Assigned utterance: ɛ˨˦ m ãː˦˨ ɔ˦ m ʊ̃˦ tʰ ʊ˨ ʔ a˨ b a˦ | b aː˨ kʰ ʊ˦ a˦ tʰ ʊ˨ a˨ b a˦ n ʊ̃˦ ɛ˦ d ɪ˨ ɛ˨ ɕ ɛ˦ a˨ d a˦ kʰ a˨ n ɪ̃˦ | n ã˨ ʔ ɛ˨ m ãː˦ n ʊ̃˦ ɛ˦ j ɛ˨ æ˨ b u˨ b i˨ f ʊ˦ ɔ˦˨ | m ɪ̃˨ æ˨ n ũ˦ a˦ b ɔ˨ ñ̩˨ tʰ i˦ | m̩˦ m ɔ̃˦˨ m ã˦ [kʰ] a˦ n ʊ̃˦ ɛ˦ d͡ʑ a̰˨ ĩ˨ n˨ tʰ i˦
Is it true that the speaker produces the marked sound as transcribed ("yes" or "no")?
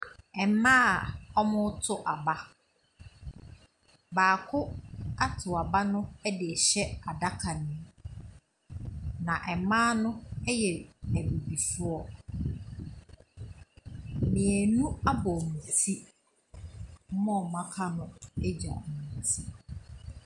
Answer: yes